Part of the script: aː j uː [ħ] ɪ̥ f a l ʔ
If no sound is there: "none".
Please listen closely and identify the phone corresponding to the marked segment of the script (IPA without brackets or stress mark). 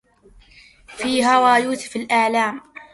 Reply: s